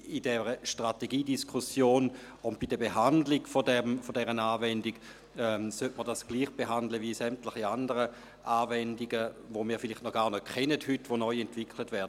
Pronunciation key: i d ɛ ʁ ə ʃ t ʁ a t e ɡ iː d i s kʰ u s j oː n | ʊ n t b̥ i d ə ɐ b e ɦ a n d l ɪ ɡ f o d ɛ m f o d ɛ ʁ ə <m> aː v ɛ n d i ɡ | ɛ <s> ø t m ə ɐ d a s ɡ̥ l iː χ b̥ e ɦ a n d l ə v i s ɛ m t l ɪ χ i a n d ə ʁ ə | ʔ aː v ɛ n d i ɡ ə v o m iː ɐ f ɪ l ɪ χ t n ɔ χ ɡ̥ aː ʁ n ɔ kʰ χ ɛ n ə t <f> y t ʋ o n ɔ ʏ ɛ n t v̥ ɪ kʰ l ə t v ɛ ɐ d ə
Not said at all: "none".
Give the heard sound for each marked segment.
n, s, h

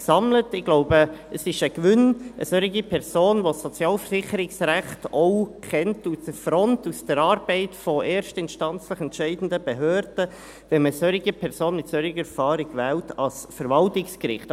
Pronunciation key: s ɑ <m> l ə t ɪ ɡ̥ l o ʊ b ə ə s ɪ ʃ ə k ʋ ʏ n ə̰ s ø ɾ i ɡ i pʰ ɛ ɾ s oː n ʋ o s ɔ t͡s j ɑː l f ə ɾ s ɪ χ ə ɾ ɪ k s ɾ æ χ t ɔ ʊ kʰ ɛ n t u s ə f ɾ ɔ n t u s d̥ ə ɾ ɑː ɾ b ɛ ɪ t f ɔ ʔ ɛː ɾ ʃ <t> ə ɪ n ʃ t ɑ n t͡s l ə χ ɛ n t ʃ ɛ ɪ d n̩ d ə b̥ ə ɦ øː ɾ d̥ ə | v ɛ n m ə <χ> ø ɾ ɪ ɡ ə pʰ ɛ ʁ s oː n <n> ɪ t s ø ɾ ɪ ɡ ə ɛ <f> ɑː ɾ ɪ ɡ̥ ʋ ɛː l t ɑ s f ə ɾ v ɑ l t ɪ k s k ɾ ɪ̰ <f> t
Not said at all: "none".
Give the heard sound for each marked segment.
m, t, s, m, f, χ

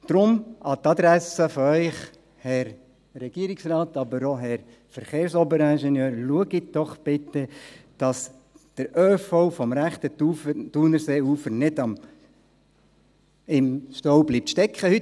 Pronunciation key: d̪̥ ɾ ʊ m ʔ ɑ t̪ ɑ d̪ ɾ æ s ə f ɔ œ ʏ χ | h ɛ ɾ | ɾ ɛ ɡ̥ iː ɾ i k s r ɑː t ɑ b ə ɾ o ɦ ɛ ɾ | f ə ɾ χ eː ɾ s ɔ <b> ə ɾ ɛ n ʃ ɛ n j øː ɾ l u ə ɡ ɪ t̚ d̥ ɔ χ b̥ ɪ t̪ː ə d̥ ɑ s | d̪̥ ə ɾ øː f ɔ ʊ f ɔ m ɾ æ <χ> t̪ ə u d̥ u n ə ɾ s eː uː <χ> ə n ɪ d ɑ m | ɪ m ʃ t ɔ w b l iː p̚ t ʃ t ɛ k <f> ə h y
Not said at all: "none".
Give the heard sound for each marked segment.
b, χ, f, χ

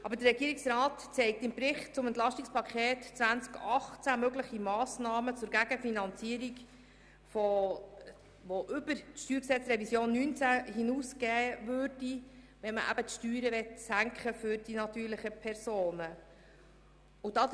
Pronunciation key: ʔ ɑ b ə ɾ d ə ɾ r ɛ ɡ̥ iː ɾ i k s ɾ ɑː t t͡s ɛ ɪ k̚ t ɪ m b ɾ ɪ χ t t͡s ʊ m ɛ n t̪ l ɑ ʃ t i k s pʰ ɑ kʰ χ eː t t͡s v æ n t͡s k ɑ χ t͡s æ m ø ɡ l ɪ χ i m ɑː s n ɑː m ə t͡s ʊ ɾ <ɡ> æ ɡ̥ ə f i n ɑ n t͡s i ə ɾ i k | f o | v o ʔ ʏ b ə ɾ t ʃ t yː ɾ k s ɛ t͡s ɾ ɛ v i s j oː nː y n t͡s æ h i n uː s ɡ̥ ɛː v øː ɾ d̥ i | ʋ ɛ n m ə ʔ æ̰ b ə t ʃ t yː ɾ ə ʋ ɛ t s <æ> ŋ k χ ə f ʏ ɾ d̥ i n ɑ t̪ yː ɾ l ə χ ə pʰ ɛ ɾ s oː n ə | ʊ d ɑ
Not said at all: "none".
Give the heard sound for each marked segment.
ɡ, æ

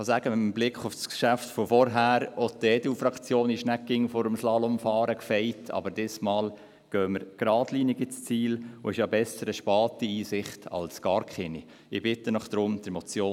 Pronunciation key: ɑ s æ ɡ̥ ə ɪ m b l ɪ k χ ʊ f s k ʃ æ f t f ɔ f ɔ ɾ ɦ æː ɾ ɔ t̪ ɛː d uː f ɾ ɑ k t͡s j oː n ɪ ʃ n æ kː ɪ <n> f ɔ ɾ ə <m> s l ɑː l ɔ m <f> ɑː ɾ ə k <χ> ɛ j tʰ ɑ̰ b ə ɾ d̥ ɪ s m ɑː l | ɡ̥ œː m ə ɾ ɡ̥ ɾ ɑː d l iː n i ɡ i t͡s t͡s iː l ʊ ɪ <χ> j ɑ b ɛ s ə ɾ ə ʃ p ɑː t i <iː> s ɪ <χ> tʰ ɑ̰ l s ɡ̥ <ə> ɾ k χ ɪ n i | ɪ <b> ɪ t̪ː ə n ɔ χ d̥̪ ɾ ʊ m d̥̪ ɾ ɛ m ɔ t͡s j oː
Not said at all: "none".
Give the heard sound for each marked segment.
ŋ, m, f, f, ʃ, iː, χ, ɑ, b

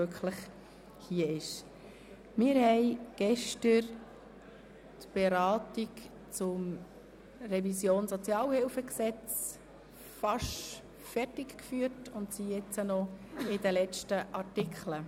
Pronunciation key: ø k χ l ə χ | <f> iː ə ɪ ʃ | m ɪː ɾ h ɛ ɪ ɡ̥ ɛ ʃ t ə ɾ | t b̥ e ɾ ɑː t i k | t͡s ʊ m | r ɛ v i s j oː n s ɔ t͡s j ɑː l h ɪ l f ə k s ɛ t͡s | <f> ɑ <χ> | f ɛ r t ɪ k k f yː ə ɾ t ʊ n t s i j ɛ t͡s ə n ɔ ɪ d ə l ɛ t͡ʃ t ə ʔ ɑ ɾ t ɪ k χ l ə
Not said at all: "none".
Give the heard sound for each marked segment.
h, f, ʃ

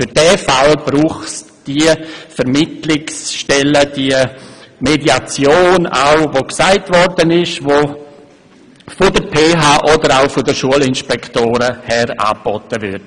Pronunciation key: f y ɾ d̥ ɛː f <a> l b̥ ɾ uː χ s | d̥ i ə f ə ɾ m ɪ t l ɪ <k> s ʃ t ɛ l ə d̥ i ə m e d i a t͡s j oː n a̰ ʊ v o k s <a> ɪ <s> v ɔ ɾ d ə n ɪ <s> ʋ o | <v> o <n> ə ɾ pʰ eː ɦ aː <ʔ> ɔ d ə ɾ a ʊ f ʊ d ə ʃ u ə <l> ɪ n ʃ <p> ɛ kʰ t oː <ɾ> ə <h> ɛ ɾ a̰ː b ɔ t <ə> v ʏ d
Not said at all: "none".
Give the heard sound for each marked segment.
a, k, a, t, ʃ, f, d, ʔ, l, p, ɾ, h, ə

